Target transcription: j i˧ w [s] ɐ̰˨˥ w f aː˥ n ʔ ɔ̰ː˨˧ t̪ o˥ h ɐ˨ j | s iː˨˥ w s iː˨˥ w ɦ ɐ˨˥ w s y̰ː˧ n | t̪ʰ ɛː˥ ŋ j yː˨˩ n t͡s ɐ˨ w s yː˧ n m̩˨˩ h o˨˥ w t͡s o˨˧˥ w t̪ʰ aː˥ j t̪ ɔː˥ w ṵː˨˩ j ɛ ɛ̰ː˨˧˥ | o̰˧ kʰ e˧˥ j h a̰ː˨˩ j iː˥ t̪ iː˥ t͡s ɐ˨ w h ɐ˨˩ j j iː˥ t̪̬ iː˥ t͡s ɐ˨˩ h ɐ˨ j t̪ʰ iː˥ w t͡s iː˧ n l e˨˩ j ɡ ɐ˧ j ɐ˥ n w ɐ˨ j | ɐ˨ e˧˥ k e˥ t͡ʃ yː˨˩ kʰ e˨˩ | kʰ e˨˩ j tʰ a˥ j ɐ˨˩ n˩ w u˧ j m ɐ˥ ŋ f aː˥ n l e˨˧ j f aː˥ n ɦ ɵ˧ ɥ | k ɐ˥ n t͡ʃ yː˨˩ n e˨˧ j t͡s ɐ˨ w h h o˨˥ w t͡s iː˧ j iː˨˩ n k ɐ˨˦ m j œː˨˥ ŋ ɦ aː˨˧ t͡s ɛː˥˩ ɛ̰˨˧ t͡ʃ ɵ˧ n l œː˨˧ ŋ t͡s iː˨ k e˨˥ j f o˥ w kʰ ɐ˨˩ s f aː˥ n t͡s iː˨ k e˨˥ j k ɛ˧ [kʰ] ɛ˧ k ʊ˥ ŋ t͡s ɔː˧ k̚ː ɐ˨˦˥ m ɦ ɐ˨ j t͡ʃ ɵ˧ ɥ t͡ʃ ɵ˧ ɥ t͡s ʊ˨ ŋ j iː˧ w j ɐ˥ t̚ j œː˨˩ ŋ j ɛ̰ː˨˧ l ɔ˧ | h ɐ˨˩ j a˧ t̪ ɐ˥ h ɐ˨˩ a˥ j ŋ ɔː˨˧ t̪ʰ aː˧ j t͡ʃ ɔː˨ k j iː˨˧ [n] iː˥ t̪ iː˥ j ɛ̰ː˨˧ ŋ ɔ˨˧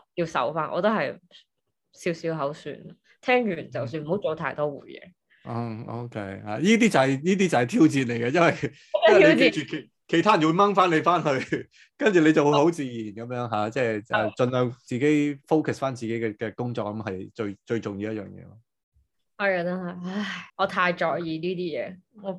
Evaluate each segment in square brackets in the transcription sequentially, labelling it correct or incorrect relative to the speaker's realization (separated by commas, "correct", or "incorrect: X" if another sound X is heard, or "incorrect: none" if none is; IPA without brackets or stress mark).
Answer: correct, incorrect: k, correct